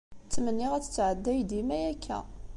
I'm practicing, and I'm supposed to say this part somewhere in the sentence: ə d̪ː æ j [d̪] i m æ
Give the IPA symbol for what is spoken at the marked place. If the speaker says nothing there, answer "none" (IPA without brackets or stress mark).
d̪